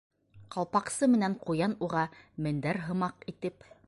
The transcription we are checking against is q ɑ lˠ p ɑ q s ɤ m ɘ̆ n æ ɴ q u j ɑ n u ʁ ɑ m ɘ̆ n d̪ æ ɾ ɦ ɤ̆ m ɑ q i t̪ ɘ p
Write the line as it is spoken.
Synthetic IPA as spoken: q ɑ lˠ p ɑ q s ɤ m ɘ̆ n æ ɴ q u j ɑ n u ʁ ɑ m ɘ̆ n d̪ æ ɾ ɦ ɤ̆ m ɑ q i t̪ ɘ p